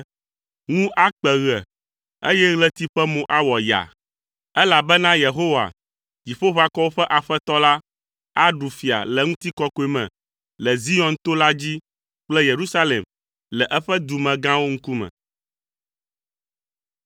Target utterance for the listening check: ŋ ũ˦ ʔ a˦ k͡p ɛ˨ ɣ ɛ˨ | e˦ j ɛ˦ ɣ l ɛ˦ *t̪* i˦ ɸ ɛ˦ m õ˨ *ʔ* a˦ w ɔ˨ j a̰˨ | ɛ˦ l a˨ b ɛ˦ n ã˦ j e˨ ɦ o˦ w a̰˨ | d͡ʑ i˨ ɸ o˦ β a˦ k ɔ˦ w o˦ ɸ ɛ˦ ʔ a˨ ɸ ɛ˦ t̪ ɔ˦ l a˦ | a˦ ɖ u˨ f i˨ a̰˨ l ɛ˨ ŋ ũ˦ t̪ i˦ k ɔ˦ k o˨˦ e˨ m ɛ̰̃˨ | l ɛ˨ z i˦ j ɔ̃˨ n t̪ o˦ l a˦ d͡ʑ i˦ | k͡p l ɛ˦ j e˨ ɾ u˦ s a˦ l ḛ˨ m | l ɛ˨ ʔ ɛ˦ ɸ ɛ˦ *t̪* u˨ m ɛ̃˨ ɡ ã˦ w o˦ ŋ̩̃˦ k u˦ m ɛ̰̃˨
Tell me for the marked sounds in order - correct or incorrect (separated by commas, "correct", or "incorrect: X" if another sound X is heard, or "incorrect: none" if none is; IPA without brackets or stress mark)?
correct, correct, incorrect: d̪